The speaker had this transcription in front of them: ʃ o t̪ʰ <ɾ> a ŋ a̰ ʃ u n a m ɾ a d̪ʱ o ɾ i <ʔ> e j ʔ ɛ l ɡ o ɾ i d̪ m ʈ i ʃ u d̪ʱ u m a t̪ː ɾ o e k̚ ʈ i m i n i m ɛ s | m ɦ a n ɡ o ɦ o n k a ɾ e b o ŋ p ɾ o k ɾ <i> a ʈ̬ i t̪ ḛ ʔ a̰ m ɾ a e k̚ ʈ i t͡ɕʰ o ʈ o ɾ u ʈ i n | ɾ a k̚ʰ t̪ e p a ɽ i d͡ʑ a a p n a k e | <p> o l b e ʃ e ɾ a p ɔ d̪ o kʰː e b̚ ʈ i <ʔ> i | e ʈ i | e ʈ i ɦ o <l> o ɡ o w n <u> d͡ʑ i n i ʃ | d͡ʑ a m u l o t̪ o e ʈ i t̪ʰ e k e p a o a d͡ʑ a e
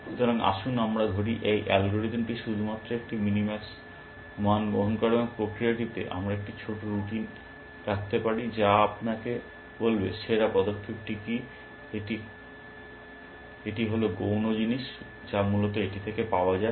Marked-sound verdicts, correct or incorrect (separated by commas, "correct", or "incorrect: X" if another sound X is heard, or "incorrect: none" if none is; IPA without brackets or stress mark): correct, correct, correct, incorrect: b, incorrect: k, correct, incorrect: o